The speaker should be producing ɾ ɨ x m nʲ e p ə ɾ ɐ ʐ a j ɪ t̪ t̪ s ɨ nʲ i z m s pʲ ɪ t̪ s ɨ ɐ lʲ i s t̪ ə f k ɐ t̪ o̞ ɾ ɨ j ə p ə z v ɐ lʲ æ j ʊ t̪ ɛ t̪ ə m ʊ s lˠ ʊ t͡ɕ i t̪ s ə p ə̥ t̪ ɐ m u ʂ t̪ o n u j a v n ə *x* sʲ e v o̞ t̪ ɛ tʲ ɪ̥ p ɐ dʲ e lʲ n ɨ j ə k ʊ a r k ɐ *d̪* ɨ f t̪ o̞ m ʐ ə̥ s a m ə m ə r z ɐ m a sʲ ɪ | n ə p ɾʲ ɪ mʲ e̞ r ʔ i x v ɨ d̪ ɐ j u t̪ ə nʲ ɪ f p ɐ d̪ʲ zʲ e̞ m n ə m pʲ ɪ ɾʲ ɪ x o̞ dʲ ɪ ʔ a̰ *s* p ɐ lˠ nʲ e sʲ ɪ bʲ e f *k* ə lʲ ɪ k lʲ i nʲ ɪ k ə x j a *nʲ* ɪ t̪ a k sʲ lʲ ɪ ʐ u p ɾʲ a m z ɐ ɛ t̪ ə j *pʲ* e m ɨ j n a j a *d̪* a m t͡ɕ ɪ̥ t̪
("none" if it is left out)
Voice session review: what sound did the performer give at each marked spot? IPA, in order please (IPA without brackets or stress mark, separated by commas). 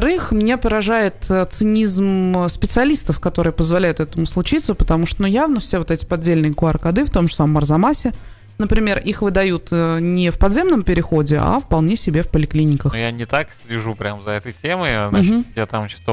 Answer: f, d̪, f, p, nʲ, tʲ, t̪